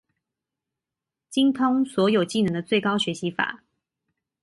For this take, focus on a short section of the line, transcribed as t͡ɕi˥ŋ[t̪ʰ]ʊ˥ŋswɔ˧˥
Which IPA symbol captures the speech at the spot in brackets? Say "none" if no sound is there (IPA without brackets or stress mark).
t̪ʰ